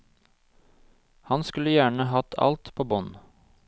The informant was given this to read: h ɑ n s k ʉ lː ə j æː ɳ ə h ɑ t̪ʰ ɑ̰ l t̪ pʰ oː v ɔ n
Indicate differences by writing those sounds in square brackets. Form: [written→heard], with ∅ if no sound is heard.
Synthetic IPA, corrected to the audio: h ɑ n s k ʉ [lː→l] ə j æː ɳ ə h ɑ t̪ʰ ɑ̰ l t̪ pʰ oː [v→b] ɔ n